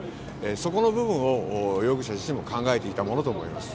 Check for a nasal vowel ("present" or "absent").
present